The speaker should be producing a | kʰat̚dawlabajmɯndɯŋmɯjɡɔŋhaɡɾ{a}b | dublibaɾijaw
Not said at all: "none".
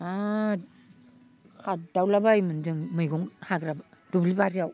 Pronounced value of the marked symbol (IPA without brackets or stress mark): a